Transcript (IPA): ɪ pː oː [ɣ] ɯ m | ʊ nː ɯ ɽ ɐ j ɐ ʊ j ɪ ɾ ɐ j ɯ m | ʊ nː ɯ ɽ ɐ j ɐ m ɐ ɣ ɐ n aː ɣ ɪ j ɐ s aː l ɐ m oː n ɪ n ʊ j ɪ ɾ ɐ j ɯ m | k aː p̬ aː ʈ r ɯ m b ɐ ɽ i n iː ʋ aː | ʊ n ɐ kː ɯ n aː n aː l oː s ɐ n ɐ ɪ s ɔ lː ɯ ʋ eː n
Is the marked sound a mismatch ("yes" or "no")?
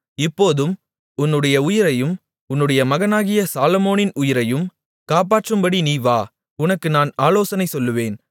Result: yes